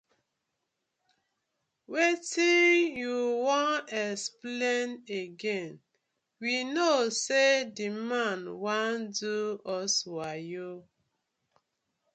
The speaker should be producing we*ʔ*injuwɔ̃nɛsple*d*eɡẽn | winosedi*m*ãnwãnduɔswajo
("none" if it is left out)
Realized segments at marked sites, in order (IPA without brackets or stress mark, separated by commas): t, n, m